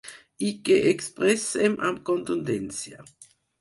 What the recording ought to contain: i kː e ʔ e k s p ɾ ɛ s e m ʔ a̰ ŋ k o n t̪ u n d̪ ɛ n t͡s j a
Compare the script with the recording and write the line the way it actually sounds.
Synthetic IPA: i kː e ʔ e k s p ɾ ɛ s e m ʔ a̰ m k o n t̪ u n d̪ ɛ n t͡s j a

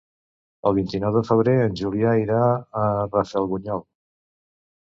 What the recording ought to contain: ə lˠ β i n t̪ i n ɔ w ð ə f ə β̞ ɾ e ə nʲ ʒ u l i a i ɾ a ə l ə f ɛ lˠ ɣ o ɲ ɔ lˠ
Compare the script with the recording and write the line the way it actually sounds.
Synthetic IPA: ə lˠ β i n t̪ i n ɔ w ð ə f ə β̞ ɾ e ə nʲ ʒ u l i a i ɾ a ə r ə f ɛ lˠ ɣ u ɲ ɔ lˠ

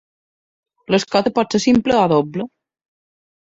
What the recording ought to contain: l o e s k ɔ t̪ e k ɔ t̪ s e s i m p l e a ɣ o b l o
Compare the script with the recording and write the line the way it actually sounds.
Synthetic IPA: l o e s k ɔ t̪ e p ɔ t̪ s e s i m p l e a ð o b l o

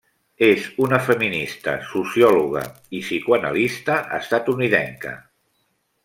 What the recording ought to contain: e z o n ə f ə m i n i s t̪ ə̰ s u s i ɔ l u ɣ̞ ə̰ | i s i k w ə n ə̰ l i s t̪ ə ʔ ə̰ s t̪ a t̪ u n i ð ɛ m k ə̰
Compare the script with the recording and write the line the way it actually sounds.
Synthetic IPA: e z u n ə f ə m i n i s t̪ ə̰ s u s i ɔ l u ɣ̞ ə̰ | i s i k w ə n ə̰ l i s t̪ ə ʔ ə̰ s t̪ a t̪ u n i ð ɛ ŋ k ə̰

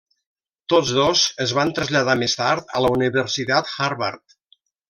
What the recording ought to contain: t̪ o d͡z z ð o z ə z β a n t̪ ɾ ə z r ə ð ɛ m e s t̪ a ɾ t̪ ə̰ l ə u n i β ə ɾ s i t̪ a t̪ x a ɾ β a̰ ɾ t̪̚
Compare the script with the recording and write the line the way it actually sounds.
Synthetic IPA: t̪ o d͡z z ð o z ə z β a n t̪ ɾ ə z ʎ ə ð a m e s t̪ a ɾ t̪ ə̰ l ə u n i β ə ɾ s i t̪ a t̪ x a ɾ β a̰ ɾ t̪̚

